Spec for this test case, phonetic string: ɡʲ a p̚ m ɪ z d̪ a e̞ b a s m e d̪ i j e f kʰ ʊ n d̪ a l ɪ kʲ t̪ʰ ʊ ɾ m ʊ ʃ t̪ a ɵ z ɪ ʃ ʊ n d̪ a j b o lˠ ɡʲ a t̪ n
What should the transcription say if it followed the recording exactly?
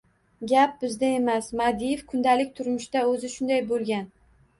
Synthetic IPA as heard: ɡʲ a p̚ b ɪ z d̪ a e̞ m a s m a d̪ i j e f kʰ ʊ n d̪ a l ɪ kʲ t̪ʰ ʊ ɾ m ʊ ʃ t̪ a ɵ z ɪ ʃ ʊ n d̪ a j b o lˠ ɡʲ a n